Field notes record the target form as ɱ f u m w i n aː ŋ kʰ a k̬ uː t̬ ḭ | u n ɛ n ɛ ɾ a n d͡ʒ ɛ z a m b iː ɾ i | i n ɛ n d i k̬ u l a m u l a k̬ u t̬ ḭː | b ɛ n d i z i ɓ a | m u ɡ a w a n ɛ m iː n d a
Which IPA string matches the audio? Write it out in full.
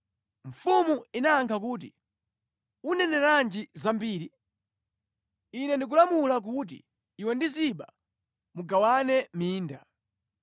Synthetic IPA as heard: ɱ f u m u i n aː ŋ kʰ a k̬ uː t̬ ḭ | u n ɛ n ɛ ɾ a n d͡ʒ i z a m b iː ɾ i | i n ɛ n d i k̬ u l a m u l a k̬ u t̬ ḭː | w ɛ n d i z i ɓ a | m u ɡ a w a n ɛ m iː n d a